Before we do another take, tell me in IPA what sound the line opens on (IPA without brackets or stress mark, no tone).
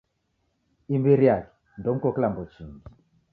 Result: i